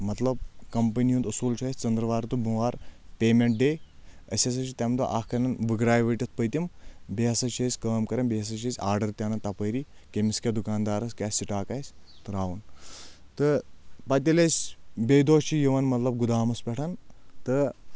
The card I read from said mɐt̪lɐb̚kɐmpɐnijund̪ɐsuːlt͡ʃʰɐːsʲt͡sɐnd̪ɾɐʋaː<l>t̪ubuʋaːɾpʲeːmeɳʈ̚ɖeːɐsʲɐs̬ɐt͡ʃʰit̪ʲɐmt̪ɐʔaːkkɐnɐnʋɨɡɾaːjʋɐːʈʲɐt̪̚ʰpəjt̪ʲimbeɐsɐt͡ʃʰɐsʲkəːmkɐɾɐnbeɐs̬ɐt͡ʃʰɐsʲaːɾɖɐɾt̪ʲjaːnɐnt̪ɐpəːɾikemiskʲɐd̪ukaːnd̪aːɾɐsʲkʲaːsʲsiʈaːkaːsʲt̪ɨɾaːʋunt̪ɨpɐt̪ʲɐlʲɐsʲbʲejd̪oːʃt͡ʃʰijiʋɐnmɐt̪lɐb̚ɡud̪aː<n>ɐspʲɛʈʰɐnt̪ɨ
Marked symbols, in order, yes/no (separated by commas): no, no